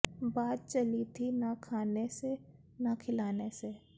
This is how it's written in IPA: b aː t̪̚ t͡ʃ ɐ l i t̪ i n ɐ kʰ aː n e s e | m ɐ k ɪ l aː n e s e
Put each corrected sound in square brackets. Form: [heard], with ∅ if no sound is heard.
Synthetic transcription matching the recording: b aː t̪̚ t͡ʃ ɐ l i [t̪ʰ] i n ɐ kʰ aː n e s e | [n] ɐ [kʰ] ɪ l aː n e s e